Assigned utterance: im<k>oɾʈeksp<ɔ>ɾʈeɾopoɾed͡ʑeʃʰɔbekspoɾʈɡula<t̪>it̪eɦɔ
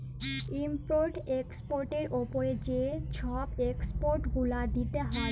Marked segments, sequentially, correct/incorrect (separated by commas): incorrect, incorrect, incorrect